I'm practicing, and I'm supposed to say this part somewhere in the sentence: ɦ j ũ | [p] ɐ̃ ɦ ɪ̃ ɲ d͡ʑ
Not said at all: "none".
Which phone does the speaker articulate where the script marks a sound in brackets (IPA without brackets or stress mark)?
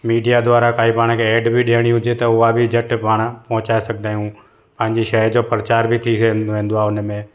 p